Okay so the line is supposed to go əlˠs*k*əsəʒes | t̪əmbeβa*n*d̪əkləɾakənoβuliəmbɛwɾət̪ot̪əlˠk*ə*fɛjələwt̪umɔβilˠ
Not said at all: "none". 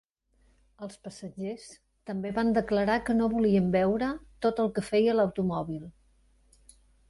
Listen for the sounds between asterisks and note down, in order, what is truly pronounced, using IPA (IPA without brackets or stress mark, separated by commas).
p, n, ə